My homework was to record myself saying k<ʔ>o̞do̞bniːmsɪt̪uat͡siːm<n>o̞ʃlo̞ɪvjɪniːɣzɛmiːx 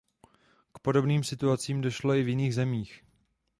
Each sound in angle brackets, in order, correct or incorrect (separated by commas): incorrect, incorrect